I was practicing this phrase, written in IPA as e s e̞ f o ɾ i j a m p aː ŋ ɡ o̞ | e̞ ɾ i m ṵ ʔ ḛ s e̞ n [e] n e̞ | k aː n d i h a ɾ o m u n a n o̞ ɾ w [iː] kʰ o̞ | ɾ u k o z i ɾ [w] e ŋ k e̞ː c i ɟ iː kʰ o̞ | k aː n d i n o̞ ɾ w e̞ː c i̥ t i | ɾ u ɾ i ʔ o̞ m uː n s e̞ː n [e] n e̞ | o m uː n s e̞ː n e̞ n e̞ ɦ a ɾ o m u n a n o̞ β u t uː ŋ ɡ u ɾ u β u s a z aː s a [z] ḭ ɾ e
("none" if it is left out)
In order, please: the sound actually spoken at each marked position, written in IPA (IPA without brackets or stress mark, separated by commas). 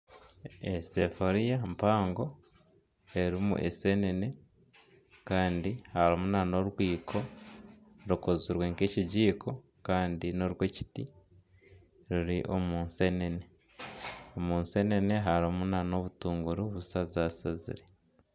e, iː, w, e, z